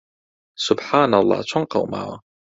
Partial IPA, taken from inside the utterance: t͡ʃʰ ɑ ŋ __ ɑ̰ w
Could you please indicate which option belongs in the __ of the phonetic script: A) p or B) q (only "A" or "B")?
B